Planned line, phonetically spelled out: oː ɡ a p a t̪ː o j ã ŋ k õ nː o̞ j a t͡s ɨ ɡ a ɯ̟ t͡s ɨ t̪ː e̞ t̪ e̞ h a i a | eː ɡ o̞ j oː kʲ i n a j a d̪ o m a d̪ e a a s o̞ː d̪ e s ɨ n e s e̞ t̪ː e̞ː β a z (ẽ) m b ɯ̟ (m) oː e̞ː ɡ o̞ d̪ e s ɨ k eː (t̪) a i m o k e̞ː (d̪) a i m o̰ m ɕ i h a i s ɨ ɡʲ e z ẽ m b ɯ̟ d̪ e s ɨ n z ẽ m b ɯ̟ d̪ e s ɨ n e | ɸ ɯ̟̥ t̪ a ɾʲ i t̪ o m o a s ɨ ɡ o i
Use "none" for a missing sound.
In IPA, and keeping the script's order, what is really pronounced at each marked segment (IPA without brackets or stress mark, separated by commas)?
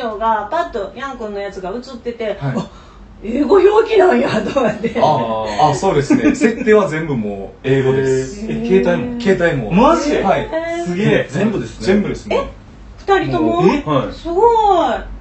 ẽ, m, t̪, t̪